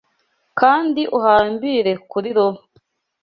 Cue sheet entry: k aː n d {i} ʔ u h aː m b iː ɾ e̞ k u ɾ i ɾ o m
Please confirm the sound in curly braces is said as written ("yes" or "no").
yes